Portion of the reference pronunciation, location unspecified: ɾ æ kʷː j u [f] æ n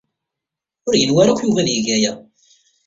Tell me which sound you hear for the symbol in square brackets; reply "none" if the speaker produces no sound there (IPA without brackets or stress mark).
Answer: v